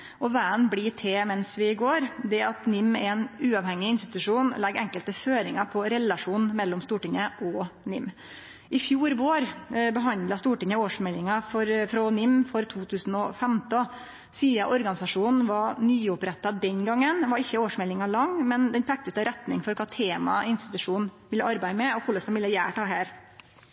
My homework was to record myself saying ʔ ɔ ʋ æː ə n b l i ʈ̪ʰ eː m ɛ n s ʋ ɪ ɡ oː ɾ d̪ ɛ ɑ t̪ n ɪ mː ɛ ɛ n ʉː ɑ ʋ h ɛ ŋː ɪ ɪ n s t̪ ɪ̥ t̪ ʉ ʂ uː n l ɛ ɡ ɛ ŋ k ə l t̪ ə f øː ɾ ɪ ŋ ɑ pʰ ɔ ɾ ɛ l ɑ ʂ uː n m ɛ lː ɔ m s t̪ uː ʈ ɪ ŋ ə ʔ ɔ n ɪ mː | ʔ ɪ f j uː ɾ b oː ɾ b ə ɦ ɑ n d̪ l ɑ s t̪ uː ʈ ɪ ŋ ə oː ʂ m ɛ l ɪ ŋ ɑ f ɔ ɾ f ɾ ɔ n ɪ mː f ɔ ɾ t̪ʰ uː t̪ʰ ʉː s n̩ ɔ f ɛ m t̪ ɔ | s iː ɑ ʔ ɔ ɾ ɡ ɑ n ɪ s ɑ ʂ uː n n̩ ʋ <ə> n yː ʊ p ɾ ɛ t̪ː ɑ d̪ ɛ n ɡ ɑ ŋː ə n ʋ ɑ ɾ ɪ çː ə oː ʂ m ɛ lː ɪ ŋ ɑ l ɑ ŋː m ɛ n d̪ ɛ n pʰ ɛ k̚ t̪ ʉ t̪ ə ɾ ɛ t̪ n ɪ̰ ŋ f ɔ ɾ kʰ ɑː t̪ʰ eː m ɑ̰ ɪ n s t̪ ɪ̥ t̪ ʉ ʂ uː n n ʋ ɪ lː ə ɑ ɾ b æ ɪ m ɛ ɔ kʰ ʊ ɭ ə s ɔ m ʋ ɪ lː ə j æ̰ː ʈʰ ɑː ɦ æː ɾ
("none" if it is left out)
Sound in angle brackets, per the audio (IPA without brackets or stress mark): ɑ